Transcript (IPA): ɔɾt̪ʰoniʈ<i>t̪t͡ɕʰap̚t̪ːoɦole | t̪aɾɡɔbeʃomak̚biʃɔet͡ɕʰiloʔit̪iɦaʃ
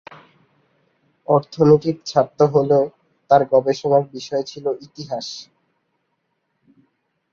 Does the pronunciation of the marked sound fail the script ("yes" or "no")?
no